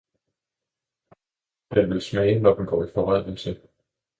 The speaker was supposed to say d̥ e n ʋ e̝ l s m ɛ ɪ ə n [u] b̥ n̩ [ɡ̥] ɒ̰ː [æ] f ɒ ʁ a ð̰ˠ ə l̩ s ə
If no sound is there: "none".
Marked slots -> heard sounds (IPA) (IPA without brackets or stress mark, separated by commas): ɒ, ɡ̥, i